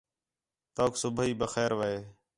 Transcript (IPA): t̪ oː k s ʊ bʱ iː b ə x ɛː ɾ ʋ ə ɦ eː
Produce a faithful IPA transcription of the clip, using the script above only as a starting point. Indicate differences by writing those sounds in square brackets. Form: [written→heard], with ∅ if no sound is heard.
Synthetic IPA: t̪ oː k s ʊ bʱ iː b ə x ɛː ɾ ʋ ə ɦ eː